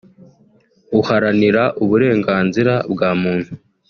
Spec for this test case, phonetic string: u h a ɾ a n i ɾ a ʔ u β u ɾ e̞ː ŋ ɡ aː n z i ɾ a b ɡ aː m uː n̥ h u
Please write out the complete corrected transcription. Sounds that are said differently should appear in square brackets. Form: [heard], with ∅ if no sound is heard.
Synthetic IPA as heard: u h a ɾ a n i ɾ a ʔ u β u ɾ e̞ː ŋ ɡ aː n z i ɾ a b ɡ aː m uː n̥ h u